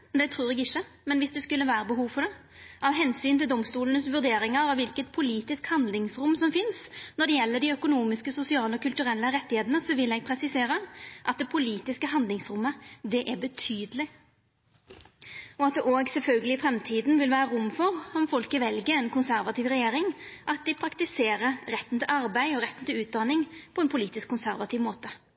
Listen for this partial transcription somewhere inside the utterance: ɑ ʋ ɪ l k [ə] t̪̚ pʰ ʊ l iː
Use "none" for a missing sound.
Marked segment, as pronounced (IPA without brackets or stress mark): ə